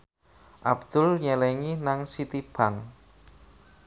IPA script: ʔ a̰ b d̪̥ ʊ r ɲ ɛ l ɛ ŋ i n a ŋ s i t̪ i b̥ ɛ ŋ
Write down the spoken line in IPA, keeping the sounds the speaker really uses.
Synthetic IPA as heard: ʔ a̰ b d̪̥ ʊ l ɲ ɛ l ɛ ŋ i n a ŋ s i t̪ i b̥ a ŋ